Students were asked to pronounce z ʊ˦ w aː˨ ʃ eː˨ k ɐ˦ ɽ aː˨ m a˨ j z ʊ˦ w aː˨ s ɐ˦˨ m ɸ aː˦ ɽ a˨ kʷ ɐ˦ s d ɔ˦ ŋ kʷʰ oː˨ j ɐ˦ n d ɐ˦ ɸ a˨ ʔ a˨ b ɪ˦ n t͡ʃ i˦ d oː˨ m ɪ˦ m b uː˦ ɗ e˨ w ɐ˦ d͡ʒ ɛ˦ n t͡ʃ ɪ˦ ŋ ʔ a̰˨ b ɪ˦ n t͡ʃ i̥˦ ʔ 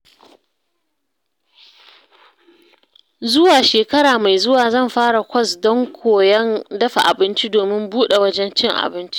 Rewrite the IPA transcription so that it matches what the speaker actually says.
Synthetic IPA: z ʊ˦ w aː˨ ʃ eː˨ k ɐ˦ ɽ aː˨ m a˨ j z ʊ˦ w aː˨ z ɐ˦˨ m ɸ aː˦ ɽ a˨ kʷ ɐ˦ s d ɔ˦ ŋ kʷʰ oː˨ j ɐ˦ n d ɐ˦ ɸ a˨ ʔ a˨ b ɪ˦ n t͡ʃ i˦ d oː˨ m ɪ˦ m b uː˦ ɗ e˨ w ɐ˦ d͡ʒ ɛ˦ n t͡ʃ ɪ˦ ŋ ʔ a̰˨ b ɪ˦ n t͡ʃ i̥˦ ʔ